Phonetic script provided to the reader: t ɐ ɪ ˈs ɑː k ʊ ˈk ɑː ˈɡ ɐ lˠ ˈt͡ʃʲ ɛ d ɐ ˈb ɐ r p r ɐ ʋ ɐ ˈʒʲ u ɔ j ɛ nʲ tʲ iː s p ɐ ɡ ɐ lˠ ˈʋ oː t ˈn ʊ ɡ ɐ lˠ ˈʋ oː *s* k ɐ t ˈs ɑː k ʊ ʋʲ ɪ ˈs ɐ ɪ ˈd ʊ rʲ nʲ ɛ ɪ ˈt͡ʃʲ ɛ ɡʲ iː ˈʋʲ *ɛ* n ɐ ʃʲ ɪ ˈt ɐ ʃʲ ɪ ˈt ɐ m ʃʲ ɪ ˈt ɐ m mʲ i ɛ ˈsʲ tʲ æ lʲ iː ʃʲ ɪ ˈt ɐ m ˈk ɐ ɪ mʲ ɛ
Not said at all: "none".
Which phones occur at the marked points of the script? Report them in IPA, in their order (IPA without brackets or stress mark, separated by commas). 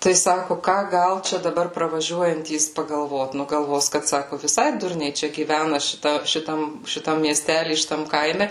s, æ